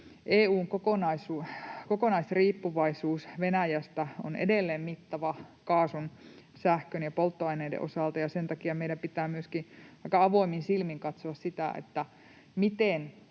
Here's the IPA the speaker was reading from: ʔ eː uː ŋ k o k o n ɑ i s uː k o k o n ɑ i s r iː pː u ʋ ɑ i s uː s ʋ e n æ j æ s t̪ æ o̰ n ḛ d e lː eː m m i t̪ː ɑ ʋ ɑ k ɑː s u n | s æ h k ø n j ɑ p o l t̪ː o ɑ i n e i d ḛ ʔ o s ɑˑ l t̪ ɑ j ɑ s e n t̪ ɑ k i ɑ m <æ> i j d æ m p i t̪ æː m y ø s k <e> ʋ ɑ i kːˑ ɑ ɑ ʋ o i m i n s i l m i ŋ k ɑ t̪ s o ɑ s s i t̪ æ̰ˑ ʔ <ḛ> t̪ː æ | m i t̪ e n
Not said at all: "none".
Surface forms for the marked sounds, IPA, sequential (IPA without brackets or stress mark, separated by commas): e, i, ḛ